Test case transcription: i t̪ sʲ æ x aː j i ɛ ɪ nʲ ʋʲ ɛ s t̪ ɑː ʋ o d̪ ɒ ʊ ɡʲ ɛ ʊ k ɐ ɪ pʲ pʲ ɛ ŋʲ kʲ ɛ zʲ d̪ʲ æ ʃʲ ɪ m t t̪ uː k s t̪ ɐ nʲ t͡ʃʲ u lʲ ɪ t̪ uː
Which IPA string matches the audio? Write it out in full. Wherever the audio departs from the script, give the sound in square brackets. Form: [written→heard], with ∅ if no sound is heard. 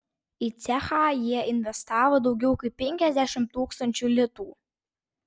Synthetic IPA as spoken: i t̪ sʲ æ x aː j i ɛ ɪ nʲ ʋʲ ɛ s t̪ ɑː ʋ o d̪ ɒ ʊ ɡʲ ɛ ʊ k ɐ ɪ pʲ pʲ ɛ ŋʲ kʲ ɛ zʲ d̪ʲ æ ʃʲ ɪ m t t̪ uː k s t̪ ɐ nʲ t͡ʃʲ u lʲ ɪ t̪ uː